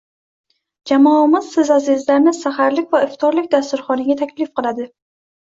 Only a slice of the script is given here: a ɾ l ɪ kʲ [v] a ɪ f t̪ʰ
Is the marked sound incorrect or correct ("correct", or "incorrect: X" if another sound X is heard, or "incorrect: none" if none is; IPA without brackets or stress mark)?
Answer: correct